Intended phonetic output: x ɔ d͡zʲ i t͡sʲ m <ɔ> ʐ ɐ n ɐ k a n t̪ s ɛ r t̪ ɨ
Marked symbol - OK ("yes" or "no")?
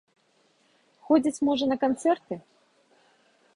yes